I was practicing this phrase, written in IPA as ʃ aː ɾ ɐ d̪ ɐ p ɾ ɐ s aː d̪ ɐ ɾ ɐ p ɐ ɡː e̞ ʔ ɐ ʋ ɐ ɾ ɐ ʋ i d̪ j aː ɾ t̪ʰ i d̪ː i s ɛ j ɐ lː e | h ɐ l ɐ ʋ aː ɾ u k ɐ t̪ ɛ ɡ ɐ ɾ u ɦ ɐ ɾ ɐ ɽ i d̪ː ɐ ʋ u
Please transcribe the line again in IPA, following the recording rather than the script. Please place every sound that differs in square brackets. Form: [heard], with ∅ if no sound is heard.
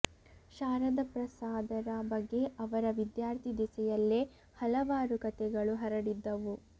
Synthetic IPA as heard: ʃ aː ɾ ɐ d̪ ɐ p ɾ ɐ s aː d̪ ɐ ɾ ɐ [b] ɐ ɡː e̞ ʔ ɐ ʋ ɐ ɾ ɐ ʋ i d̪ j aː ɾ t̪ʰ i [d̪] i s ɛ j ɐ lː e | h ɐ l ɐ ʋ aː ɾ u k ɐ t̪ ɛ ɡ ɐ [ɭ] u ɦ ɐ ɾ ɐ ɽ i d̪ː ɐ ʋ u